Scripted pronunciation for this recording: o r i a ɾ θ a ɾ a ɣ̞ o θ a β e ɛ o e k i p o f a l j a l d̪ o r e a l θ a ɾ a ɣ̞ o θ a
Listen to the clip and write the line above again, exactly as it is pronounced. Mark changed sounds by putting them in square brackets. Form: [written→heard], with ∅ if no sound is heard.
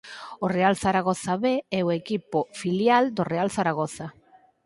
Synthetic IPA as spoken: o r [i→e] a [ɾ→l] θ a ɾ a ɣ̞ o θ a β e ɛ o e k i p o f [a→i] l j a l d̪ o r e a l θ a ɾ a ɣ̞ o θ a